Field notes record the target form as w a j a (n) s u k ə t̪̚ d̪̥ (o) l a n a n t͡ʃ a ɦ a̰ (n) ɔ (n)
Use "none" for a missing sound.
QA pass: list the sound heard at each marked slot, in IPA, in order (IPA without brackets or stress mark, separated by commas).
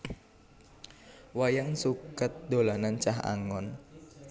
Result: ŋ, o, ŋ, n